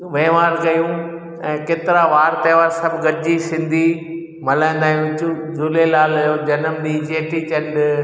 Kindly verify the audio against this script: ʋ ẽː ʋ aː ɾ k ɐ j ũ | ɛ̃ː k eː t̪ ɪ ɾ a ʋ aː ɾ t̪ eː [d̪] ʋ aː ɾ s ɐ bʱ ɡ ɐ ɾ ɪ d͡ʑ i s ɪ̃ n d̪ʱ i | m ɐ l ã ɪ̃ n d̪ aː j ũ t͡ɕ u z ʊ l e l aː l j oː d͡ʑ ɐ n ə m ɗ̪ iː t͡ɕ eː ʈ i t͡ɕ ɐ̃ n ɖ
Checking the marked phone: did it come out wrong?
yes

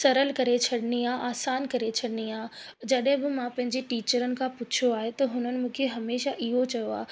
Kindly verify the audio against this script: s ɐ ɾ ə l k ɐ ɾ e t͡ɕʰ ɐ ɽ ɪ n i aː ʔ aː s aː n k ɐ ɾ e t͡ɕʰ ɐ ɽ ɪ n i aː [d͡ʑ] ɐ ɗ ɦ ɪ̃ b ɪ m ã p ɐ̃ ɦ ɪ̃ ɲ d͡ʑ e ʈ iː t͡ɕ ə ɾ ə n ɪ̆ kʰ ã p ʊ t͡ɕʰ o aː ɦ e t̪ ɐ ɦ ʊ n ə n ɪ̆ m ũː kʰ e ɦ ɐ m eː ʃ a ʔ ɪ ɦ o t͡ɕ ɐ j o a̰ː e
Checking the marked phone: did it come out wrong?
no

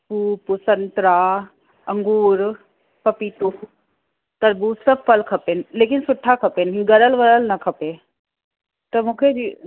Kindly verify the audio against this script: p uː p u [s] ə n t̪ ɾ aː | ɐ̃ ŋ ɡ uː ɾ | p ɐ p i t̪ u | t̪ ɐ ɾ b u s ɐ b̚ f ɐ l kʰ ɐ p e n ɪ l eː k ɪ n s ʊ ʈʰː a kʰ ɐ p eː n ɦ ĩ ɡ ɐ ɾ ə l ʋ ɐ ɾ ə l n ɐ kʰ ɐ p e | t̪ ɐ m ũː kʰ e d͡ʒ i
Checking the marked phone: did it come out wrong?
no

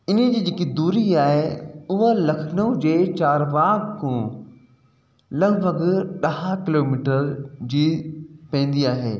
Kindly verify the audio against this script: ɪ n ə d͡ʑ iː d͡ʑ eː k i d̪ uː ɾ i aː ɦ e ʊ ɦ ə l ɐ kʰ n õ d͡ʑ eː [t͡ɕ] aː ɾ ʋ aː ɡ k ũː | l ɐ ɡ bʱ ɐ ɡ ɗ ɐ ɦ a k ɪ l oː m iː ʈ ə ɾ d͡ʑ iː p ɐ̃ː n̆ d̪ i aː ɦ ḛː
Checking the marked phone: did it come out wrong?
no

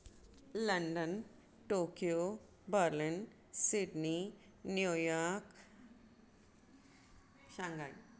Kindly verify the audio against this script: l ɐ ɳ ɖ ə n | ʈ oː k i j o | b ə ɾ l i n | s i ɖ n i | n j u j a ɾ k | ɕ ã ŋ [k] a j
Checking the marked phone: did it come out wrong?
yes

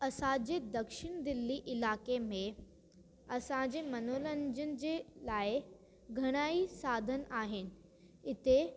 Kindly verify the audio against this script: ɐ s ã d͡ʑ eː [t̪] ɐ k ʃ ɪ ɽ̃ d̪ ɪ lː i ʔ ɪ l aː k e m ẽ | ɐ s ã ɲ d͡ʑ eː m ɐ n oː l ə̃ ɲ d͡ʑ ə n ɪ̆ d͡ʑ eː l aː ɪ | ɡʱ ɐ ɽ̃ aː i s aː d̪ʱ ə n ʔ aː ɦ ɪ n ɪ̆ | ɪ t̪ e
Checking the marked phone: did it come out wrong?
yes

